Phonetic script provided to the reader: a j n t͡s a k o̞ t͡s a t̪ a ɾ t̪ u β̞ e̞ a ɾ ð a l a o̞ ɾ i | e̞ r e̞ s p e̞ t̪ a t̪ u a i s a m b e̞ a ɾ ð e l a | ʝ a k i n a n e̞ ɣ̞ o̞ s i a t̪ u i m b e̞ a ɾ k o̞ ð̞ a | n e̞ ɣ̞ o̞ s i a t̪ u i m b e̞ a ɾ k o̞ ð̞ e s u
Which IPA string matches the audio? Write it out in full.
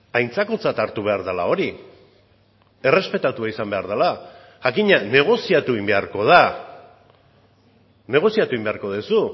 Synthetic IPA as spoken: a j n t͡s a k o̞ t͡s a t̪ a ɾ t̪ u β̞ e̞ a ɾ ð a l a o̞ ɾ i | e̞ r e̞ s p e̞ t̪ a t̪ u a i s a m b e̞ a ɾ ð a l a | ʝ a k i ɲ a n e̞ ɣ̞ o̞ s i a t̪ u i m b e̞ a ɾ k o̞ ð̞ a | n e̞ ɣ̞ o̞ s i a t̪ u i m b e̞ a ɾ k o̞ ð̞ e s u